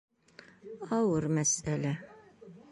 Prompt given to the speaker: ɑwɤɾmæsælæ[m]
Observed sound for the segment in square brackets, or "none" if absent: none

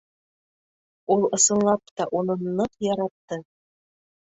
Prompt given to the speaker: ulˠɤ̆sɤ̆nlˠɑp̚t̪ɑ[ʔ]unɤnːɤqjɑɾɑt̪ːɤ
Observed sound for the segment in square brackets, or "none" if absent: ʔ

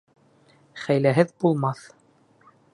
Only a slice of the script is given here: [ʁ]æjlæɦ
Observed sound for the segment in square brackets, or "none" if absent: χ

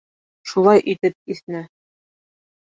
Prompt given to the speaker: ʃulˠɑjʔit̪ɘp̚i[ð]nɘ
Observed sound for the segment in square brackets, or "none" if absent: θ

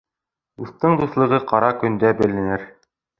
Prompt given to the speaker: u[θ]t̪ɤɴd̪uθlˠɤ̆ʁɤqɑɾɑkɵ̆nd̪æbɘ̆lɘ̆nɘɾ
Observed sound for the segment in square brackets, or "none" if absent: θ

